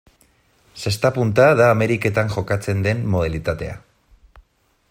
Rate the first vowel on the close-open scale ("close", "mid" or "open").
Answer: mid